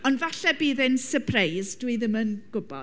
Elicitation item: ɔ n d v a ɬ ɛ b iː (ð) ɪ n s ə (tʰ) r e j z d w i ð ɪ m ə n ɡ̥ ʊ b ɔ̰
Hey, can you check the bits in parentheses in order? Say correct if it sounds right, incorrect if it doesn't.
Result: correct, incorrect: pʰ

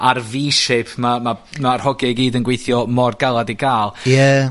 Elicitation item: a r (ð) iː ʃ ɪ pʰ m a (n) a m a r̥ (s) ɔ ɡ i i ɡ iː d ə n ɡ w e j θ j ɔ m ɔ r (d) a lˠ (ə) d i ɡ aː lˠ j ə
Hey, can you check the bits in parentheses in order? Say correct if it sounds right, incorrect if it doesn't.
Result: incorrect: v, incorrect: m, incorrect: h, incorrect: ɡ, incorrect: a

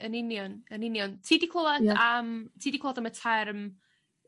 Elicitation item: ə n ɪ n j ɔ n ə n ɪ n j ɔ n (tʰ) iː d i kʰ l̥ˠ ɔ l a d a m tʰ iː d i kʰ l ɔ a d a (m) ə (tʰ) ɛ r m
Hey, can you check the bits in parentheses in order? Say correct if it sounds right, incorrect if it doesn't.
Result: correct, correct, correct

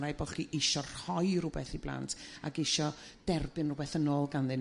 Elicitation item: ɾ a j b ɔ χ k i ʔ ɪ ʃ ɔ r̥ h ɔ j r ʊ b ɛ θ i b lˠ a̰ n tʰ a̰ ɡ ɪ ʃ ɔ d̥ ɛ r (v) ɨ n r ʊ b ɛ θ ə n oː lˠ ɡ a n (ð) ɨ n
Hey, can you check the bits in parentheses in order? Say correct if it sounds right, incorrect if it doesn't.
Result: incorrect: b, correct

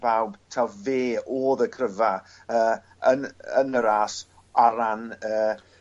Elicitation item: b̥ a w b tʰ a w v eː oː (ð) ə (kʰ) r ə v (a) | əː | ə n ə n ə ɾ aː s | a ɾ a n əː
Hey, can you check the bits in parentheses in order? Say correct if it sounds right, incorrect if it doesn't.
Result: correct, correct, correct

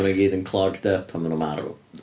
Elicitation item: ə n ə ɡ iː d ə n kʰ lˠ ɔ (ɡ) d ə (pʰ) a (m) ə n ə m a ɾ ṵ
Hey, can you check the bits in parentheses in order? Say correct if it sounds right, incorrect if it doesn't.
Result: correct, correct, correct

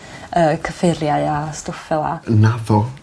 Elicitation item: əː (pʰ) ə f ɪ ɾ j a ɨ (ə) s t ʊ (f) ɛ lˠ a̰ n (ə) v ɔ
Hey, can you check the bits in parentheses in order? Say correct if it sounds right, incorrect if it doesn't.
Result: incorrect: kʰ, incorrect: a, correct, incorrect: a

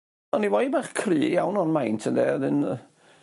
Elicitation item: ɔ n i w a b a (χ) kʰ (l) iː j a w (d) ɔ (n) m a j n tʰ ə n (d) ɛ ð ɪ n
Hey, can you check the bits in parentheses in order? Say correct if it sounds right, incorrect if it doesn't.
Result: correct, incorrect: r, incorrect: n, correct, correct

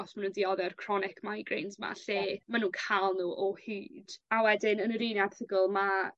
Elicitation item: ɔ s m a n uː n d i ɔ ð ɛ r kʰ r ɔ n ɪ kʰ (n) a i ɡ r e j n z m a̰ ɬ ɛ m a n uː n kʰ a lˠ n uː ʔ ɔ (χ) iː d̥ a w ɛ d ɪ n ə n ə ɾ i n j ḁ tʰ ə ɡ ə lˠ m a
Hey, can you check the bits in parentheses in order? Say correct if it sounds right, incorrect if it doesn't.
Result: incorrect: m, incorrect: h

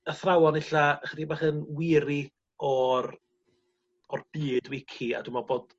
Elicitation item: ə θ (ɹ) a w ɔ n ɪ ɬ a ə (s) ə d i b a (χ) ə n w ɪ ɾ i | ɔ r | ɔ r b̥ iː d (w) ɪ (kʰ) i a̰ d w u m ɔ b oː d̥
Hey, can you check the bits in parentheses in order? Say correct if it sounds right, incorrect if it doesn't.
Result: incorrect: r, incorrect: χ, correct, correct, correct

